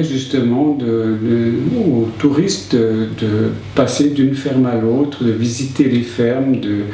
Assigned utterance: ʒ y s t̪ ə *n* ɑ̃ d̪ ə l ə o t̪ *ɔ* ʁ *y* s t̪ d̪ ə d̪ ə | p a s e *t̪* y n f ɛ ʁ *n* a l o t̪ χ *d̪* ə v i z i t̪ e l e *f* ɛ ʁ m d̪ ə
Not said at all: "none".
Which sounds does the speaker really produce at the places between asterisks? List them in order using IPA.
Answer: m, u, i, d̪, m, d̪, f

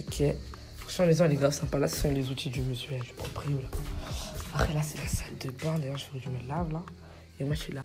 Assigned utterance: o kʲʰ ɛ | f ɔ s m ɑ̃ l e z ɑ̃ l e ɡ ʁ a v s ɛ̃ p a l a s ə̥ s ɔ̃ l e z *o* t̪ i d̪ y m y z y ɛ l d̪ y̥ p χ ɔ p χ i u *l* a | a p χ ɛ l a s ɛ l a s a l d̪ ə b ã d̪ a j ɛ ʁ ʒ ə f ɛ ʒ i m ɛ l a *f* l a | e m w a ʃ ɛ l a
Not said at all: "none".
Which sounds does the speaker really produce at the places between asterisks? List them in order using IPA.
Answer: u, l, v

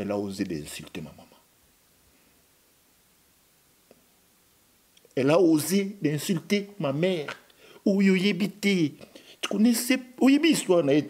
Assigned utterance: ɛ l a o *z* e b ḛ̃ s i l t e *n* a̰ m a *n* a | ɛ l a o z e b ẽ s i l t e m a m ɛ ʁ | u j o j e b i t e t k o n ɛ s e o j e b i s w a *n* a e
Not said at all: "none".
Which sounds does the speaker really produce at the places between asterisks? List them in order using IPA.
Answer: z, m, m, n

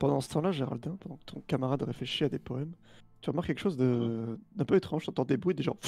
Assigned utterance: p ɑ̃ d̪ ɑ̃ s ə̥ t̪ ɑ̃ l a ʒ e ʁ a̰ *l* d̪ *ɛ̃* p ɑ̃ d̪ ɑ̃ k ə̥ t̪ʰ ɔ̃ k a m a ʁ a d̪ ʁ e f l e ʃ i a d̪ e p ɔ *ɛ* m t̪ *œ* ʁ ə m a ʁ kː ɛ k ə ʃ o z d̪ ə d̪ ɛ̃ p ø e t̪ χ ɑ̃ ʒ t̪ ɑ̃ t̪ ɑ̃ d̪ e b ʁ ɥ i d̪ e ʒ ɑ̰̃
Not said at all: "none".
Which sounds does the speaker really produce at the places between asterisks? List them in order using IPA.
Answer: l, ɛ̃, ɛ, y

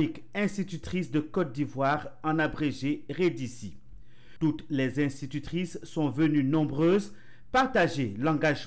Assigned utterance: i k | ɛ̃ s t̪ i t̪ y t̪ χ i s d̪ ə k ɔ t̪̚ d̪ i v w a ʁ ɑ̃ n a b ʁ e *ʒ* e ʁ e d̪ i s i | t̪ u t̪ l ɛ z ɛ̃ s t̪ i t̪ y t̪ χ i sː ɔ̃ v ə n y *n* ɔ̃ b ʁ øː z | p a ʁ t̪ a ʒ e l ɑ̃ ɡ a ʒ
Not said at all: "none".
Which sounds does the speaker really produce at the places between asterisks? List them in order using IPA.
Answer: ʒ, n

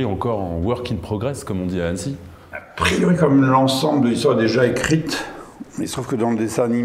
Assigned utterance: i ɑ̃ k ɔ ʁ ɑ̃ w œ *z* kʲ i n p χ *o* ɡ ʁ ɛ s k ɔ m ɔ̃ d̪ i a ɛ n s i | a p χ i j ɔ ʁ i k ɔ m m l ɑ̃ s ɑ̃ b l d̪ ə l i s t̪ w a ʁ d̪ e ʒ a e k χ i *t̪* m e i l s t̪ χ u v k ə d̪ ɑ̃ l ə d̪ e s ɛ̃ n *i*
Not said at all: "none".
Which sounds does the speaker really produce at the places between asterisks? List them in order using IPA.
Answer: ʁ, ɔ, t̪, i

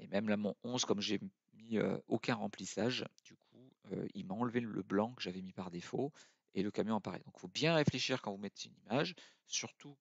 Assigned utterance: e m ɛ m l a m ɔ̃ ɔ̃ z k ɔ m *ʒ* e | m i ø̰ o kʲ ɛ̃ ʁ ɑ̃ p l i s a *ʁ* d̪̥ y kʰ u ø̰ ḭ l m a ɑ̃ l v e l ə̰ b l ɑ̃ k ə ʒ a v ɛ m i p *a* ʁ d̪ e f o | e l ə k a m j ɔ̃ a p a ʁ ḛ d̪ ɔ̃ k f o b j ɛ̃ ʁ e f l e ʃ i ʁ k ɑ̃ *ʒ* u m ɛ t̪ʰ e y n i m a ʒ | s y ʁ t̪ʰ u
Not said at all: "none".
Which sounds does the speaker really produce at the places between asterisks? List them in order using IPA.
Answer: ʒ, ʒ, a, v

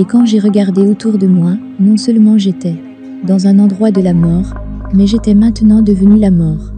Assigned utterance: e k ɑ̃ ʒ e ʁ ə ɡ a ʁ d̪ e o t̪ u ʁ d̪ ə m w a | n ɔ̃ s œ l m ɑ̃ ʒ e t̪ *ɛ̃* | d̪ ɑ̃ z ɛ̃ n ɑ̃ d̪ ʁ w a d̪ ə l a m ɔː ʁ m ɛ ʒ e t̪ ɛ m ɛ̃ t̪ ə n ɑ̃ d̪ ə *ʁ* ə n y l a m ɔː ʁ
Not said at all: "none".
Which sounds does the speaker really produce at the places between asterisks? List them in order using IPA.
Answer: ɛ, v

